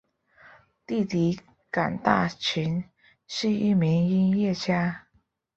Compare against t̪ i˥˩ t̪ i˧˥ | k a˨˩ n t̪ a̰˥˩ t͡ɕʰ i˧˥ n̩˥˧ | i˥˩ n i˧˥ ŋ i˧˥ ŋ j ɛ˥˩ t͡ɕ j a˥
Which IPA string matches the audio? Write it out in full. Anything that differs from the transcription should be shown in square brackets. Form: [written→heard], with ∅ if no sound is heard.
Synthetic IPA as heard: t̪ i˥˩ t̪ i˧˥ | k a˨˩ n t̪ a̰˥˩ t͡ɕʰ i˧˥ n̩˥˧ | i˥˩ [n→m] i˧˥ ŋ [i˧˥→i˥] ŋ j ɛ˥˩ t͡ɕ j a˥